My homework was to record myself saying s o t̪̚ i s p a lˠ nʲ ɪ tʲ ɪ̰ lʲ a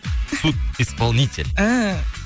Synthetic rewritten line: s u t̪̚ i s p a lˠ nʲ i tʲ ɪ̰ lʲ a